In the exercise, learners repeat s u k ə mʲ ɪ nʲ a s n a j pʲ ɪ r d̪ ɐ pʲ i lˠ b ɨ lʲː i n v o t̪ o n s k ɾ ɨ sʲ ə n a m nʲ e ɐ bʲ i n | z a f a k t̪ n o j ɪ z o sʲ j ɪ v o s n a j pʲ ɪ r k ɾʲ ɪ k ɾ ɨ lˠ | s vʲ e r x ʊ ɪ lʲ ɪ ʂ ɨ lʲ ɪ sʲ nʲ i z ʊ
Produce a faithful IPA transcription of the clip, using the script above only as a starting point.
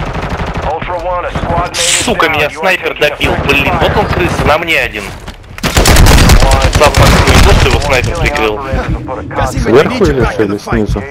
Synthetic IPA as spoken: s u k ə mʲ ɪ nʲ a s n a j pʲ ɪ r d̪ ɐ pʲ i lˠ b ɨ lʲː i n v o t̪ o n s k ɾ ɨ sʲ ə n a m nʲ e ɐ dʲ i n | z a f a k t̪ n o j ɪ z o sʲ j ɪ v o s n a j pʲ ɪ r p ɾʲ ɪ k ɾ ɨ lˠ | s vʲ e r x ʊ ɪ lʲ ɪ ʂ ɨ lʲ ɪ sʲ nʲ i z ʊ